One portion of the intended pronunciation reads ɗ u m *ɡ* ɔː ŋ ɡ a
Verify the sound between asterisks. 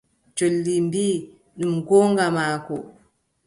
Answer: correct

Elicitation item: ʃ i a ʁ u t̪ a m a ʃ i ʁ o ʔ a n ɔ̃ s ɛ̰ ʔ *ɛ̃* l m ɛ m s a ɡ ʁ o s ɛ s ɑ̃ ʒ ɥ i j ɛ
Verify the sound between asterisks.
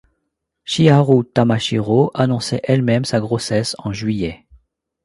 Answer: incorrect: ɛ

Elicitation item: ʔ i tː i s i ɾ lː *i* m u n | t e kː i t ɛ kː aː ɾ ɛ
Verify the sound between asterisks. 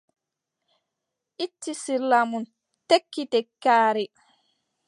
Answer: incorrect: a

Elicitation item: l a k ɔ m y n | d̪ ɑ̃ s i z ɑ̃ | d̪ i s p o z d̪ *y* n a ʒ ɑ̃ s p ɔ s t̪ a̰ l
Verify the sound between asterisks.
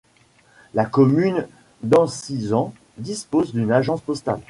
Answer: correct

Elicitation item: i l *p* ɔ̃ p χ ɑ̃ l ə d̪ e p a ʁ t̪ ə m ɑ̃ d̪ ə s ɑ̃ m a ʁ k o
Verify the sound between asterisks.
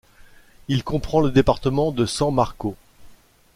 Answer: incorrect: k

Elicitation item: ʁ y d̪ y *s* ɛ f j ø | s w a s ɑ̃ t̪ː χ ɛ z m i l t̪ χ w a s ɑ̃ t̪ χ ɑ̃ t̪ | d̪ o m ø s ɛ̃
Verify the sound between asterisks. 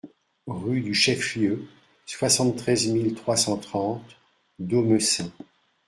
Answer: incorrect: ʃ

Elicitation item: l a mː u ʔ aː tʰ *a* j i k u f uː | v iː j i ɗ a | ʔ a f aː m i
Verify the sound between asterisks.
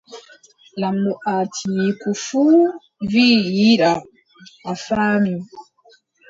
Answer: incorrect: i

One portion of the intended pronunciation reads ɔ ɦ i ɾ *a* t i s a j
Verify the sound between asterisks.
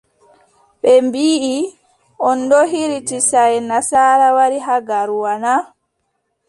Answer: incorrect: i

